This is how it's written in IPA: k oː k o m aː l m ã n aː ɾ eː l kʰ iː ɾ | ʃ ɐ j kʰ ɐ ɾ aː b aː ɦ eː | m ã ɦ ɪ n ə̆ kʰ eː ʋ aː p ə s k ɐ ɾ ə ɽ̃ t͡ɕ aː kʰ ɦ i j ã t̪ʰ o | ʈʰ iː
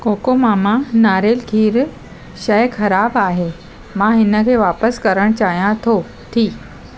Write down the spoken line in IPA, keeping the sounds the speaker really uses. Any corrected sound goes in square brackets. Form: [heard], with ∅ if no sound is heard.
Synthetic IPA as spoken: k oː k o m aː [∅] m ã n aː ɾ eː l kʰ iː ɾ | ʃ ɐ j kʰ ɐ ɾ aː b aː ɦ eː | m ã ɦ ɪ n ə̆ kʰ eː ʋ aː p ə s k ɐ ɾ ə ɽ̃ t͡ɕ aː [∅] ɦ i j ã t̪ʰ o | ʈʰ iː